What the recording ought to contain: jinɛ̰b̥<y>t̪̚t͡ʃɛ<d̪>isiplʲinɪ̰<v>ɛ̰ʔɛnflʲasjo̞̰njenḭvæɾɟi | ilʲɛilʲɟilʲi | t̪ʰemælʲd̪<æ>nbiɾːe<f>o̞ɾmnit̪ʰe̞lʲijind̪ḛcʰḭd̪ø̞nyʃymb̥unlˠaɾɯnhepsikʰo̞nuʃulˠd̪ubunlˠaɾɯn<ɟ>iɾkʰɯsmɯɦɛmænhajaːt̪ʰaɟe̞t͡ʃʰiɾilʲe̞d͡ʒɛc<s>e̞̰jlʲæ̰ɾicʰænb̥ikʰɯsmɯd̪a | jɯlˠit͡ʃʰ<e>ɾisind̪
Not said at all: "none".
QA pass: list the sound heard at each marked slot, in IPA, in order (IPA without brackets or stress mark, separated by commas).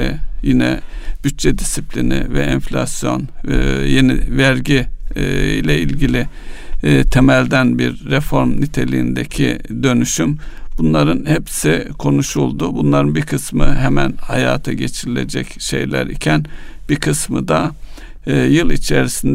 y, d̪, v, æ, f, b, ʃ, e